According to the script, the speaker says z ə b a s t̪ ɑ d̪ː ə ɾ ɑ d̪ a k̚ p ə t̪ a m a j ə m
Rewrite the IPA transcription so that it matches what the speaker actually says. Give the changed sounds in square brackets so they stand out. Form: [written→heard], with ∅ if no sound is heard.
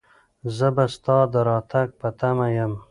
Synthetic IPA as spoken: z ə b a s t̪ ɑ [d̪ː→d̪] ə ɾ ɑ [d̪→t̪] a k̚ p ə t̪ a m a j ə m